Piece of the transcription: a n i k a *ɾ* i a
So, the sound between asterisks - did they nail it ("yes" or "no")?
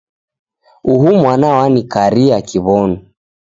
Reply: yes